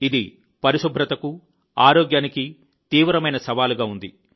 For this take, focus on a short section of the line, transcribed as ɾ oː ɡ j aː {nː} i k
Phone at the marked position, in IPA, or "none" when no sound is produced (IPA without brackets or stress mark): n